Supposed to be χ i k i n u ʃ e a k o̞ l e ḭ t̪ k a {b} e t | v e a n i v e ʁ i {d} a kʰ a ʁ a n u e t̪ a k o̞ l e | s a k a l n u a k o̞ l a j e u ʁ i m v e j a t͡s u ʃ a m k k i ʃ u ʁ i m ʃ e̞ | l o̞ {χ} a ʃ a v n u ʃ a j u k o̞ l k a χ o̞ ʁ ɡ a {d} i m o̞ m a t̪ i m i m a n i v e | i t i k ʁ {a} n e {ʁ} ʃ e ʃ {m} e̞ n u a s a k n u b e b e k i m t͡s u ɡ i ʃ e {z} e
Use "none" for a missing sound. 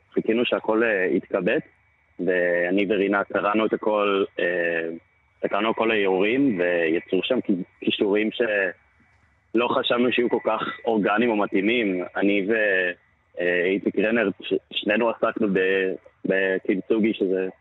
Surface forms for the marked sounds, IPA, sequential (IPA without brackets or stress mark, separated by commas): b, n, χ, n, e, ʁ, n, z